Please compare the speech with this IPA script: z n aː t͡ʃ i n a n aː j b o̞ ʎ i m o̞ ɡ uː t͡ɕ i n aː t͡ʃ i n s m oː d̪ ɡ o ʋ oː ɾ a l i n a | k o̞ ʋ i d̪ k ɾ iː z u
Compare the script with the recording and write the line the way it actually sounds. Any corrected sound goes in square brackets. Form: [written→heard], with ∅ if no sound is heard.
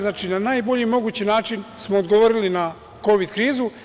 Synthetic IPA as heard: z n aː t͡ʃ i n a n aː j b o̞ ʎ i m o̞ ɡ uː t͡ɕ i n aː t͡ʃ i n s m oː d̪ ɡ o ʋ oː ɾ [a→i] l i n a | k o̞ ʋ i d̪ k ɾ iː z u